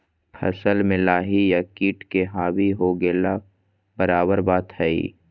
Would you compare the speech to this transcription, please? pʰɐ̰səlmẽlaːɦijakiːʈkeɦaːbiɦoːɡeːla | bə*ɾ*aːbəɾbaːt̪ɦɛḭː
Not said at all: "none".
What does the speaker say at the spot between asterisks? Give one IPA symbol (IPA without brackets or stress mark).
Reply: ɾ